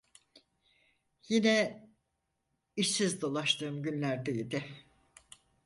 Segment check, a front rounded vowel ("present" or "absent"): present